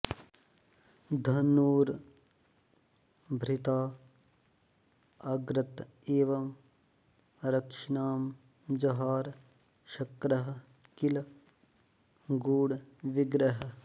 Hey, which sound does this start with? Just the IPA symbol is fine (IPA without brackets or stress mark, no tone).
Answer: d̪ʱ